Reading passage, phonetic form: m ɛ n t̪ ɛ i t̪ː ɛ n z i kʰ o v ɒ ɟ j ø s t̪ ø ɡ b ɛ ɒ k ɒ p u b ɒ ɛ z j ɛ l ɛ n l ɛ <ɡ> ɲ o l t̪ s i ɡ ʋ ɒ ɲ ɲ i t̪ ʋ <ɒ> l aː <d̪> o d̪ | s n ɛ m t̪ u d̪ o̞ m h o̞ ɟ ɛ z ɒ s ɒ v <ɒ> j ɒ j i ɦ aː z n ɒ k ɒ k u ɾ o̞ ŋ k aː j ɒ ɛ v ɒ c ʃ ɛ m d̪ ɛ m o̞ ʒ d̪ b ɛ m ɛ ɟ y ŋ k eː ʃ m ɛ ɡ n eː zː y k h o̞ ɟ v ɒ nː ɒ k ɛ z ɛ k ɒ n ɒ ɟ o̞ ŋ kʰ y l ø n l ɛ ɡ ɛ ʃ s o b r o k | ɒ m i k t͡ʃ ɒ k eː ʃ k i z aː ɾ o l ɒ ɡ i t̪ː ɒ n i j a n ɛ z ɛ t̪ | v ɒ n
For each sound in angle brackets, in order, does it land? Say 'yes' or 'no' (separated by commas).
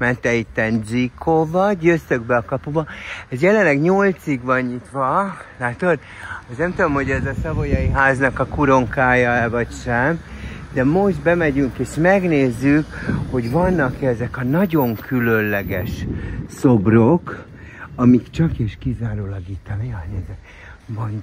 yes, yes, no, no